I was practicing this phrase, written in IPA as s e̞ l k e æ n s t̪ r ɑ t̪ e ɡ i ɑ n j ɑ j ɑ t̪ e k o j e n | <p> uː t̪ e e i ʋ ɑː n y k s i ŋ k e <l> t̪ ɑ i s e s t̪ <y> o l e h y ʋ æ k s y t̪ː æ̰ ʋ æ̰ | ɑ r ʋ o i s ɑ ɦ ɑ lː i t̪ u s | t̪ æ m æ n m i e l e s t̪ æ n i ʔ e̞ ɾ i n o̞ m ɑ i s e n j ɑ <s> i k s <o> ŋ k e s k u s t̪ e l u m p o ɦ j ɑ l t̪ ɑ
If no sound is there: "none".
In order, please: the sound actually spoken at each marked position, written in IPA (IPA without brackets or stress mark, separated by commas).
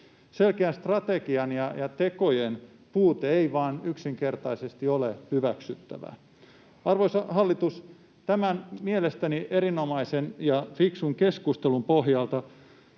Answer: p, r, i, f, u